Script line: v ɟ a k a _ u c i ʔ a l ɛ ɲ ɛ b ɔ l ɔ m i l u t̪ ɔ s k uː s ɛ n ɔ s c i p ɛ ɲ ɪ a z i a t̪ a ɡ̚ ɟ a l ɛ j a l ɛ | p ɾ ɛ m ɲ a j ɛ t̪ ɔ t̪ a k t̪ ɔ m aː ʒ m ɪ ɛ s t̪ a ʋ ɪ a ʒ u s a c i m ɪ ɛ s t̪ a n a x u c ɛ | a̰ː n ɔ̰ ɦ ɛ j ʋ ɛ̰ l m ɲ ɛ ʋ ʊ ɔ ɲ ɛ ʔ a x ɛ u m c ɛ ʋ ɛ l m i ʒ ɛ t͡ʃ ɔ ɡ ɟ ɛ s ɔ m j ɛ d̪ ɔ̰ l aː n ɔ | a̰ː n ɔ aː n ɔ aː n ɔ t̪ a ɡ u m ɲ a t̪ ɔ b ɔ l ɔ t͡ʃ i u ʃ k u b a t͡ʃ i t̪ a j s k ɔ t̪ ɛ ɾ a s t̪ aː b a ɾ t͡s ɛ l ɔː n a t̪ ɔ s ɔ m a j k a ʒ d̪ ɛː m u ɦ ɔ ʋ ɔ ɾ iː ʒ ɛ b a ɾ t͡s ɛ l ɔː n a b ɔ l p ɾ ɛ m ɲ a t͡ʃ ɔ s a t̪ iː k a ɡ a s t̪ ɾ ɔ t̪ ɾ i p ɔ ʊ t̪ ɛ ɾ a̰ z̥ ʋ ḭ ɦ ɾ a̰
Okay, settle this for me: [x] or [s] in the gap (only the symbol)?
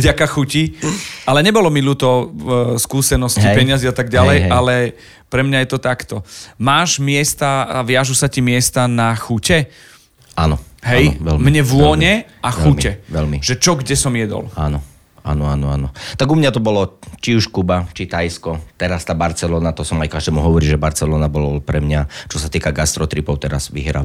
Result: x